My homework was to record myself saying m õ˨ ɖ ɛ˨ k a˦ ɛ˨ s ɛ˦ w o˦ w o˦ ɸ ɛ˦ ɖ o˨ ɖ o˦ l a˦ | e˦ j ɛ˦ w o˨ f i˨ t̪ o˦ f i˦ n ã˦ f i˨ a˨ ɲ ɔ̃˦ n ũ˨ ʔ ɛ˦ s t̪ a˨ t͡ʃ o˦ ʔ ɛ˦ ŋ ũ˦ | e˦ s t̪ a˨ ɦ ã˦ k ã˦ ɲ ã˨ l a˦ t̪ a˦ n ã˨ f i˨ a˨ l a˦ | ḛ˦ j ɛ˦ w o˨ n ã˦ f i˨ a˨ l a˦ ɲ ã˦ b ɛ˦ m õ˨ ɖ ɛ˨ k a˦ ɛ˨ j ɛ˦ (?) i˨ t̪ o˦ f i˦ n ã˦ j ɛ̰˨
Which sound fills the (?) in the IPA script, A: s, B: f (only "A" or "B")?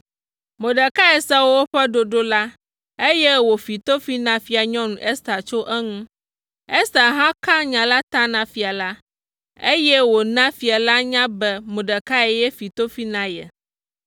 B